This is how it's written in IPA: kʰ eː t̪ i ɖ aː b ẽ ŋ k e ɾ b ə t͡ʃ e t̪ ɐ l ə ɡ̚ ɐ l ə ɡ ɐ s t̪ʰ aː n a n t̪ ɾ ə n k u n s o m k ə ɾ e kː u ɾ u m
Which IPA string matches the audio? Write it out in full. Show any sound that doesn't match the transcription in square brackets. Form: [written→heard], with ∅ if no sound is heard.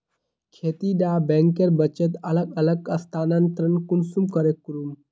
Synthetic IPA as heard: kʰ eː t̪ i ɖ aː b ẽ ŋ k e ɾ b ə t͡ʃ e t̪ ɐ l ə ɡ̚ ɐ l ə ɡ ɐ s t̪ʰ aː n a n t̪ ɾ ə n k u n s [o→u] m k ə ɾ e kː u ɾ u m